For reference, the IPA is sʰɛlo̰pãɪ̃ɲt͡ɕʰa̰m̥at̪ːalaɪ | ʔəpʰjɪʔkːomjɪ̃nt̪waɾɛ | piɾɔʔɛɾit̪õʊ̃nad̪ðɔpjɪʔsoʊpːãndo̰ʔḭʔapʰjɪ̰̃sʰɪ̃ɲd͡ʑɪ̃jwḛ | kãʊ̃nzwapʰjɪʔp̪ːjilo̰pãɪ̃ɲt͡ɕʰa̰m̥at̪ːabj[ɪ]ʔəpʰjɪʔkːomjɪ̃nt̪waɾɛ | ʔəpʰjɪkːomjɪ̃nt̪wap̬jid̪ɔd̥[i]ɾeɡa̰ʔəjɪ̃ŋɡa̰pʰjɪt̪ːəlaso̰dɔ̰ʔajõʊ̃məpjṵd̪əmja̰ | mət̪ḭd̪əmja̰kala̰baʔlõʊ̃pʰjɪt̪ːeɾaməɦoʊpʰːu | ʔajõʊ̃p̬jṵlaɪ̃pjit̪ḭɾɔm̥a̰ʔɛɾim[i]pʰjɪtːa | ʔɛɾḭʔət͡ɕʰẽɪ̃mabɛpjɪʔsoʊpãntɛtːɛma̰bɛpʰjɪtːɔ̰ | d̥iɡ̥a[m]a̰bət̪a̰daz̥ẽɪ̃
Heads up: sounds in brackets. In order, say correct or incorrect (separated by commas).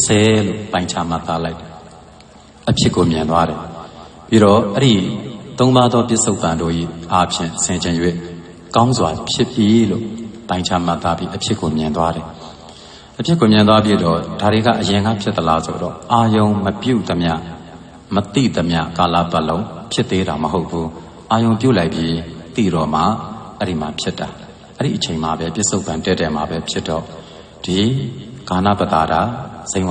incorrect, incorrect, incorrect, incorrect